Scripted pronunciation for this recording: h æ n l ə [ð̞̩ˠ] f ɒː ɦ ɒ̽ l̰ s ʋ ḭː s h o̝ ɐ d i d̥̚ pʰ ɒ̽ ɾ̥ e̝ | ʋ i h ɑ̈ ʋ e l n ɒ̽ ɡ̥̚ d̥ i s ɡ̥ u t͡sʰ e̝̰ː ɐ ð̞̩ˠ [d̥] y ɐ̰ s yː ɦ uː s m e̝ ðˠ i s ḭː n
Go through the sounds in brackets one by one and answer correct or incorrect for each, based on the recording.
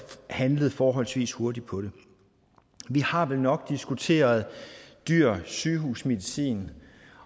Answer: correct, correct

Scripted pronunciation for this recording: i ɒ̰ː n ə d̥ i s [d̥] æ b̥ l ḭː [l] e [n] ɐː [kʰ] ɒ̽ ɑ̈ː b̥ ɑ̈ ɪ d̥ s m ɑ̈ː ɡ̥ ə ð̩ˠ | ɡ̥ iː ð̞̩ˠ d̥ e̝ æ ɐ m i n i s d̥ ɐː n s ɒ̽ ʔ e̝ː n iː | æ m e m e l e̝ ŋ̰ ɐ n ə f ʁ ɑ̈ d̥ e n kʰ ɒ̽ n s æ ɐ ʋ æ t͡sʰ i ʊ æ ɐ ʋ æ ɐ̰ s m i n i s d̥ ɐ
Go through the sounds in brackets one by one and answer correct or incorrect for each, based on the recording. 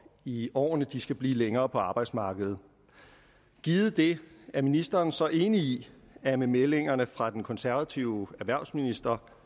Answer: incorrect, correct, incorrect, incorrect

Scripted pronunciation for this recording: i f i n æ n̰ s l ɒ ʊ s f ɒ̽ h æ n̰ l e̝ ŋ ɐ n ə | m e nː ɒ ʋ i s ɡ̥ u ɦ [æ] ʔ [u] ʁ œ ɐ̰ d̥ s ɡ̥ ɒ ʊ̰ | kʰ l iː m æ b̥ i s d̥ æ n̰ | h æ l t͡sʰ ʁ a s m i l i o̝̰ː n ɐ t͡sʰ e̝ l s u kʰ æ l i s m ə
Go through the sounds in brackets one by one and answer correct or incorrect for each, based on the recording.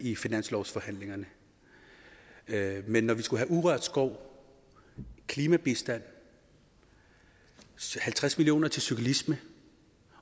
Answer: correct, correct

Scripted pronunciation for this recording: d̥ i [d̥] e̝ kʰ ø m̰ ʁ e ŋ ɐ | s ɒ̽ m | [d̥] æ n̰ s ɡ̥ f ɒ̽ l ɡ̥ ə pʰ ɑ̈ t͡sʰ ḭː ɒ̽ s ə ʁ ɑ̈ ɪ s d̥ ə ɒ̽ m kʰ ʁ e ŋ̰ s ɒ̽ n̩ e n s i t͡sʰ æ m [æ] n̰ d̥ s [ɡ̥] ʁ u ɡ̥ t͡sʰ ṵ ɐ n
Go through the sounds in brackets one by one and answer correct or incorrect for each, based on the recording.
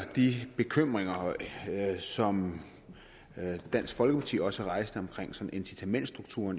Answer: incorrect, correct, incorrect, incorrect

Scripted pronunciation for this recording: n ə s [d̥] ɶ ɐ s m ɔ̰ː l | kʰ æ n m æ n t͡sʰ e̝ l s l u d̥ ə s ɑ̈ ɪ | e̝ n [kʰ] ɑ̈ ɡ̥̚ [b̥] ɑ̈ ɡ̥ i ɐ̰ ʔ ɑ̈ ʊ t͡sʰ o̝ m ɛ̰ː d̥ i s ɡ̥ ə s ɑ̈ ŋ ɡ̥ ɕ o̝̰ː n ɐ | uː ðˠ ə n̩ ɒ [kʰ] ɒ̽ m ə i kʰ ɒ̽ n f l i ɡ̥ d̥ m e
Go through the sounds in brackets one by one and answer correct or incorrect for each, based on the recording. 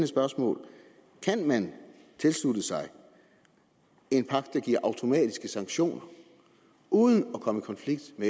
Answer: incorrect, incorrect, incorrect, correct

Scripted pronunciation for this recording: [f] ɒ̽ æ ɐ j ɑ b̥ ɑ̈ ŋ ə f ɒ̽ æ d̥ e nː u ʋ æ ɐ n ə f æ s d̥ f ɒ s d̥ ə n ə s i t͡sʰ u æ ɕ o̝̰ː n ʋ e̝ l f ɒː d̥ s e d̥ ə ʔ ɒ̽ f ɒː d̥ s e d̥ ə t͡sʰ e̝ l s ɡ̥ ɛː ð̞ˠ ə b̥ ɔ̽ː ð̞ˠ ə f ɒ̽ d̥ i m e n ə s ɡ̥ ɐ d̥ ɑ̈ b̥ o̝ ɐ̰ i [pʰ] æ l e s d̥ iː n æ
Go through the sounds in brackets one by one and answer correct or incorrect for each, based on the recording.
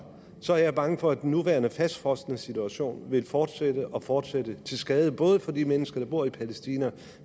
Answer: incorrect, correct

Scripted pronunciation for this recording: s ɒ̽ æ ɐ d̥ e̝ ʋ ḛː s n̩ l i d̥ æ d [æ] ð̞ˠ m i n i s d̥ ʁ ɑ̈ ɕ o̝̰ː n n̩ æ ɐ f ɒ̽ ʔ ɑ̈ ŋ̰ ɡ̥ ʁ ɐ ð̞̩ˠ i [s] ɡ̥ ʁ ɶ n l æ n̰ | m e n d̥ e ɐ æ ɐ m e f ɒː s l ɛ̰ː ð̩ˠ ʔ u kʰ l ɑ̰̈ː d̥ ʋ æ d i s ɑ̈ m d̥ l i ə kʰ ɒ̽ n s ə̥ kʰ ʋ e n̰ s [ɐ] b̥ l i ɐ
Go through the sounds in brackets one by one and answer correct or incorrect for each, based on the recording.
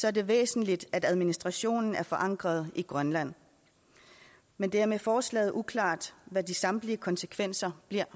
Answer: correct, incorrect, correct

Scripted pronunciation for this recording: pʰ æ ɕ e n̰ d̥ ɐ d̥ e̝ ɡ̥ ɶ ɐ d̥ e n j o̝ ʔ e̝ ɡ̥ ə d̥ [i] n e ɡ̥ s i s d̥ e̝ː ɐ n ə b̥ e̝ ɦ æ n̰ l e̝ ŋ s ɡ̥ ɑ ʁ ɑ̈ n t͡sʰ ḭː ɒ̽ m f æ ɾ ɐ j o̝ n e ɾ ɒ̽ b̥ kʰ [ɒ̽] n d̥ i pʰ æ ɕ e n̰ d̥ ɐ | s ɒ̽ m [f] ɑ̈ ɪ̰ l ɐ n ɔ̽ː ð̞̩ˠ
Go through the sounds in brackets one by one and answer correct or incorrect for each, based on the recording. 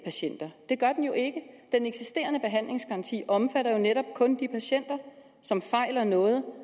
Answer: incorrect, incorrect, correct

